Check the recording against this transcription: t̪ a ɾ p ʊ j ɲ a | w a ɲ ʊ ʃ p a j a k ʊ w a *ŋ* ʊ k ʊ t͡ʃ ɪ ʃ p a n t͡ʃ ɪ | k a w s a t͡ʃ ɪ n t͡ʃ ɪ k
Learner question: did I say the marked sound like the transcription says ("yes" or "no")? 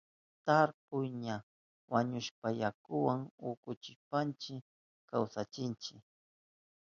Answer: yes